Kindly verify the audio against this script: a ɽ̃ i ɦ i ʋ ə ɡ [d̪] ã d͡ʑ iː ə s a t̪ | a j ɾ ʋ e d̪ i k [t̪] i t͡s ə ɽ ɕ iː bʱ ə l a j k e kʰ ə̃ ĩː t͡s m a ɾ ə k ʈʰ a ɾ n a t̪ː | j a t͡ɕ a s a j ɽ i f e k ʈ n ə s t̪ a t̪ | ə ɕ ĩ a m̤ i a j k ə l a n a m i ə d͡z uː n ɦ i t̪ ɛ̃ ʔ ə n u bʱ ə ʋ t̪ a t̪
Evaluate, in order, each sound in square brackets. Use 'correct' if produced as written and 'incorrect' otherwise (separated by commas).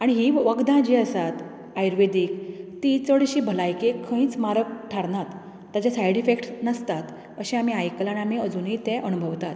correct, correct